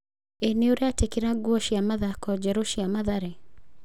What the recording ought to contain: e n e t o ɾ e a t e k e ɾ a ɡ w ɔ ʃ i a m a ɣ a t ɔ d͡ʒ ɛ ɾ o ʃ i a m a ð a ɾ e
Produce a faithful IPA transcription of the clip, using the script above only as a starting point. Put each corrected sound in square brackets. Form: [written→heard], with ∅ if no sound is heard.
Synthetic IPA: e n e [t→∅] o ɾ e a t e k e ɾ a ɡ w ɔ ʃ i a m a [ɣ→ð] a [t→k] ɔ d͡ʒ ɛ ɾ o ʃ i a m a ð a ɾ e